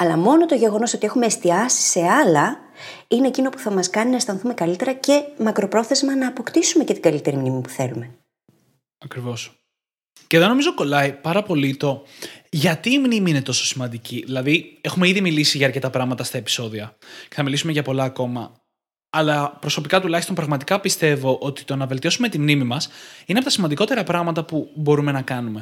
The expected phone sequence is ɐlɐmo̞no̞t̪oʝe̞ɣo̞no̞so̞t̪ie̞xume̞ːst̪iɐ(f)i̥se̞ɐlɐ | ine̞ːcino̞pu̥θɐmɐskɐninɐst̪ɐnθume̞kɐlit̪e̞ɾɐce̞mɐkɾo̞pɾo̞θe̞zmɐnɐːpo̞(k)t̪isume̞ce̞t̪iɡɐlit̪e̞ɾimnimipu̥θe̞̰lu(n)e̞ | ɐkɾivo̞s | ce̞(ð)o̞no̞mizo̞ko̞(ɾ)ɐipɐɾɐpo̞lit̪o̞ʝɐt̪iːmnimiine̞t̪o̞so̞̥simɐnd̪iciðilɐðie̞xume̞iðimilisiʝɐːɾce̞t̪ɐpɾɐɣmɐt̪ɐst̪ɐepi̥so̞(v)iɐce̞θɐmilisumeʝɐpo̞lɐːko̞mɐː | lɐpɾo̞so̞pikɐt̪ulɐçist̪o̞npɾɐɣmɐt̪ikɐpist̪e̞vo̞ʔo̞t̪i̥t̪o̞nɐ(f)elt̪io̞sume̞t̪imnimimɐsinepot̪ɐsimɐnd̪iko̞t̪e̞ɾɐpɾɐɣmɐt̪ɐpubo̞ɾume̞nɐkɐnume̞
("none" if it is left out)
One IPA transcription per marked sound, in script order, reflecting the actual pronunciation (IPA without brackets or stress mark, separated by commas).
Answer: s, k, m, ð, l, ð, v